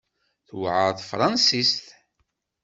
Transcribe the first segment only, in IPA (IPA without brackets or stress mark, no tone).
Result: θ